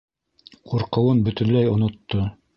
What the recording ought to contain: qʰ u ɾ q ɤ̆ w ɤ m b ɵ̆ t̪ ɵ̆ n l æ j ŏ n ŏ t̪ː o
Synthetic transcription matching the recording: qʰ u ɾ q ɤ̆ w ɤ n b ɵ̆ t̪ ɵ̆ n l æ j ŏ n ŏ t̪ː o